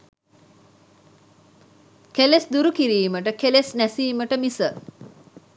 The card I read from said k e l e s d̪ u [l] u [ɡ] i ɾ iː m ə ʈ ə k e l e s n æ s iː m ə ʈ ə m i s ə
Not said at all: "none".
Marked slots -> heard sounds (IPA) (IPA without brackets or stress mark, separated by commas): ɾ, k